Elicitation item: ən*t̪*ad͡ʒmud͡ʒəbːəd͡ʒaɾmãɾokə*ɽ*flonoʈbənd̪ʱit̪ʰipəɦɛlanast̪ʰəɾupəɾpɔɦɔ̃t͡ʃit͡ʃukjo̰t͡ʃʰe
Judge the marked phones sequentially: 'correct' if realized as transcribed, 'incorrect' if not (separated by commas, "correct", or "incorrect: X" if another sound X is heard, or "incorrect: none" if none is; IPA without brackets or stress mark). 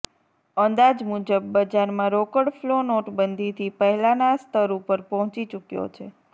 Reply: incorrect: d̪, correct